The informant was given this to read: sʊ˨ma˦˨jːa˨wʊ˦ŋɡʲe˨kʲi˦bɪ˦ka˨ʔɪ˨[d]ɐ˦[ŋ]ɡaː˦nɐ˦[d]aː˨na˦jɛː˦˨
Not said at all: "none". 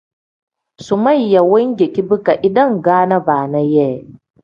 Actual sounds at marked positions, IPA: d, ŋ, b

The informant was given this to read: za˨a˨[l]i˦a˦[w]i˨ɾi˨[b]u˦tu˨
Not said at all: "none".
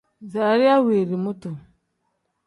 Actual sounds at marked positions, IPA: ɾ, w, m

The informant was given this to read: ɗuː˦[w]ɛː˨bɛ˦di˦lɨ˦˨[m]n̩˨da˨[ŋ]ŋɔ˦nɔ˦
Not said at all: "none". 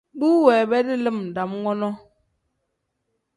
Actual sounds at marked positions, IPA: w, m, m

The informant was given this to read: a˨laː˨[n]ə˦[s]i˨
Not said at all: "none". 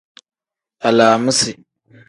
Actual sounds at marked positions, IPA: m, s

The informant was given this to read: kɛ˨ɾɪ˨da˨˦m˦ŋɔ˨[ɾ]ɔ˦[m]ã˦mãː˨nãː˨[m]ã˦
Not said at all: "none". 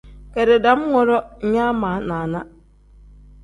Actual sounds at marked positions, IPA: ɾ, ɲ, n

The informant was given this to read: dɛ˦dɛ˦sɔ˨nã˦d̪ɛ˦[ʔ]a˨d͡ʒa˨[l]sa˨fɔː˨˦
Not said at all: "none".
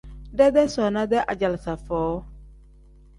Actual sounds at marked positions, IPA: ʔ, l

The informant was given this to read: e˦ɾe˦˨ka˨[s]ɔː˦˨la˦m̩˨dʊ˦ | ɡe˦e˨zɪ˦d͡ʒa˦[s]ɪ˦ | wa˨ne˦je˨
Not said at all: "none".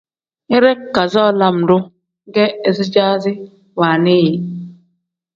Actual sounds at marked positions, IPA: z, z

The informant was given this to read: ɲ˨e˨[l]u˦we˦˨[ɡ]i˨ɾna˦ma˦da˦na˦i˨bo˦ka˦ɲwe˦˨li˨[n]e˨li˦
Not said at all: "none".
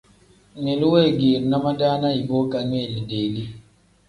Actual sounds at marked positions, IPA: l, ɡ, d

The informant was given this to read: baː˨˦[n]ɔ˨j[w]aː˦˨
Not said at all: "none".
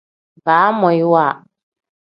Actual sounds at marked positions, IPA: m, w

